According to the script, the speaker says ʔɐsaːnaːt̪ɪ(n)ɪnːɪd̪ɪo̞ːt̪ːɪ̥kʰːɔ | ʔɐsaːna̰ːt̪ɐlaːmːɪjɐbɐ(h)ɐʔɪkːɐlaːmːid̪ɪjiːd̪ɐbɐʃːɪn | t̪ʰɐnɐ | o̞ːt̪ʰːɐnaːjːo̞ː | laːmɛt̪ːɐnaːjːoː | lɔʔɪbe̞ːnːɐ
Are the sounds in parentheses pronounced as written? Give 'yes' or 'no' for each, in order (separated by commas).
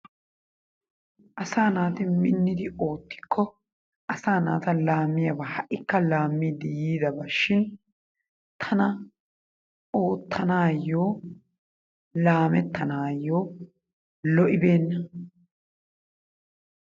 no, yes